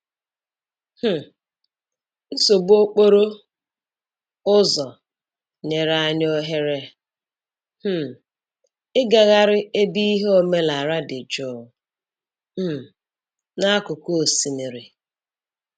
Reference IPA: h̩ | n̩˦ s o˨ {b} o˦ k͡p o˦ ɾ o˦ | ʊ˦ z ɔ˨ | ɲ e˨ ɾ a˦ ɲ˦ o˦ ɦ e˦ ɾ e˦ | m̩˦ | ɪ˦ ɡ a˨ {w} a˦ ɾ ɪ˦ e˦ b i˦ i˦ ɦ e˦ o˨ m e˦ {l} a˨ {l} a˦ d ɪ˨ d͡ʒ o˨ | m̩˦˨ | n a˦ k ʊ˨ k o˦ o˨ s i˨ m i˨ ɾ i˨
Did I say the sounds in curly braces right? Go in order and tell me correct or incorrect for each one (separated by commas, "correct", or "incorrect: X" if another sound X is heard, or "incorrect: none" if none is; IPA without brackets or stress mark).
correct, incorrect: ɣ, correct, incorrect: ɾ